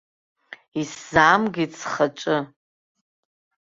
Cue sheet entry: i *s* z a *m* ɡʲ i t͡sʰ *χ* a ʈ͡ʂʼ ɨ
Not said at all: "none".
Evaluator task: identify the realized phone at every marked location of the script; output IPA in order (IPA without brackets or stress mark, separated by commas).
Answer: s, m, χ